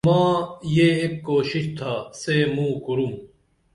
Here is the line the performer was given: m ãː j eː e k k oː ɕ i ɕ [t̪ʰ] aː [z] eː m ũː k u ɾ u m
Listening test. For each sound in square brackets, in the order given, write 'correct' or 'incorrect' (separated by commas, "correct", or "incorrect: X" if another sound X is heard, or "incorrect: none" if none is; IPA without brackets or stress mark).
correct, incorrect: s